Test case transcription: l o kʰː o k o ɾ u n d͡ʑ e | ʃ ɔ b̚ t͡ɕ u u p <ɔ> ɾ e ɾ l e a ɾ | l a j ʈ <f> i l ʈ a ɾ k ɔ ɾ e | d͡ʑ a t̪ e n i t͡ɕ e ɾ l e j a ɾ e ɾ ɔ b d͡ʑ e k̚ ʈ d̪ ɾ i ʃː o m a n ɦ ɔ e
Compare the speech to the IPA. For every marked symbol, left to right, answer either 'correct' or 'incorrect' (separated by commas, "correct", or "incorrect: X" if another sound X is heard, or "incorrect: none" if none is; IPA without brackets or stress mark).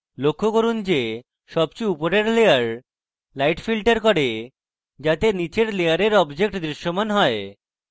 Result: incorrect: o, correct